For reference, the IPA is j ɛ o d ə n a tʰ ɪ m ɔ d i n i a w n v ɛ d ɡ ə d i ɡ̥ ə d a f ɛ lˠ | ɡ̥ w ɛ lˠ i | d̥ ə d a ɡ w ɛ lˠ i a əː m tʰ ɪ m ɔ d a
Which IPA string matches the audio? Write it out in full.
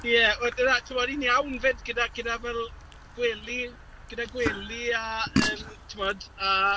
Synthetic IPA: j ɛ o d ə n a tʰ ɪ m ɔ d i n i a w n v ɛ d ɡ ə d a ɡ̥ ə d a v ɛ lˠ | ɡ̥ w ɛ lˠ i | ɡ̥ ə d a ɡ w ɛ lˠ i a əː m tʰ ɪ m ɔ d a